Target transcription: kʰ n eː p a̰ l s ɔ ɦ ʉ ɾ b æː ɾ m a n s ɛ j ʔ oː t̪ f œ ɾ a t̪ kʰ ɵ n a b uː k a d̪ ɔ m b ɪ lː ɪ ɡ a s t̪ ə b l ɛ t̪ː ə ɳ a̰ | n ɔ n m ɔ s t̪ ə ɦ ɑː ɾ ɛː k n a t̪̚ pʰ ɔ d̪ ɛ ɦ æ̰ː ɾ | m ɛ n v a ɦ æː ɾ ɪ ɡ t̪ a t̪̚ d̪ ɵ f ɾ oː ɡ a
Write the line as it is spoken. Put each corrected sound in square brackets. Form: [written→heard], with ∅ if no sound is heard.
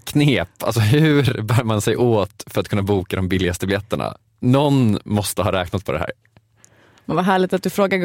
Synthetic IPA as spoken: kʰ n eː p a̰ l s ɔ ɦ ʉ ɾ b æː ɾ m a n s ɛ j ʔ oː t̪ f œ ɾ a t̪ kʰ ɵ [n→nː] a b uː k a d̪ ɔ m b ɪ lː ɪ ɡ a s t̪ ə b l ɛ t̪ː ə ɳ a̰ | n ɔ n m ɔ s t̪ ə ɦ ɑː ɾ ɛː k n a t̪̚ pʰ ɔ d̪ ɛ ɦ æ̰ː ɾ | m ɛ n v a ɦ æː [ɾ→ɭ] ɪ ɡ t̪ a t̪̚ d̪ ɵ f ɾ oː ɡ a